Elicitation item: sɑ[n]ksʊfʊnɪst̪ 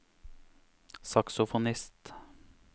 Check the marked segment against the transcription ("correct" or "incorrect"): incorrect